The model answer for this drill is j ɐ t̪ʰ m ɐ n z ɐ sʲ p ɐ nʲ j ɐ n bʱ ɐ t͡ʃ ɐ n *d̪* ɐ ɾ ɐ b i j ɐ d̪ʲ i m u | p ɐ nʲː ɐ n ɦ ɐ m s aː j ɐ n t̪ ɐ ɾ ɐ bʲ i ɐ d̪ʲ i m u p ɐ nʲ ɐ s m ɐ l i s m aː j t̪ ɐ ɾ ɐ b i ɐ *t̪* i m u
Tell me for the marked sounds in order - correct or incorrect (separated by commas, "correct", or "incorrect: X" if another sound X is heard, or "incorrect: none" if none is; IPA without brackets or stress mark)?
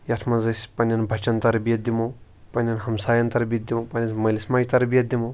incorrect: t̪, incorrect: d̪